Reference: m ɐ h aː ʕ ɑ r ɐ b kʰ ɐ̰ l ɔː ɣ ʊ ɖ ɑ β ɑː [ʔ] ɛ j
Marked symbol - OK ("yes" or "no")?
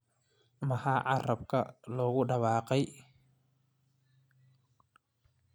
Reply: no